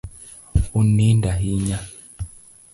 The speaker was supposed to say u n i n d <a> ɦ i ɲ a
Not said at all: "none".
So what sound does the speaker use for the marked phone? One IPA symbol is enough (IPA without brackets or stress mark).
a